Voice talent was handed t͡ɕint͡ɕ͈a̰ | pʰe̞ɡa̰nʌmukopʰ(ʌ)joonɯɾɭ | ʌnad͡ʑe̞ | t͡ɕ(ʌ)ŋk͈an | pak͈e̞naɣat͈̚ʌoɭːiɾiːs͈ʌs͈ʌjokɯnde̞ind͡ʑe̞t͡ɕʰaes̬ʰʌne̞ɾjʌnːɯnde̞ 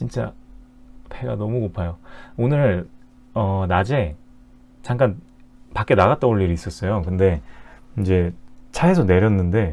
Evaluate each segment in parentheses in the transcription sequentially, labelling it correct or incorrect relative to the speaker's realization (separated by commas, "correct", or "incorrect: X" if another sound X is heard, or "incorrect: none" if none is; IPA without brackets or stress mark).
incorrect: a, incorrect: a